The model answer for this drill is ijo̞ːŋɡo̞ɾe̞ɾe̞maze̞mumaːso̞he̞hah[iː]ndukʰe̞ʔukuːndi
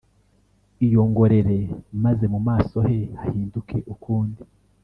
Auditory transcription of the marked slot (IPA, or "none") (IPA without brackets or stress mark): iː